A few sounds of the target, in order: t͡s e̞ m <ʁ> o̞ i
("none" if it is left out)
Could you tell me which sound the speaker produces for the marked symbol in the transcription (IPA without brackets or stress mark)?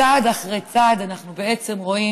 ʁ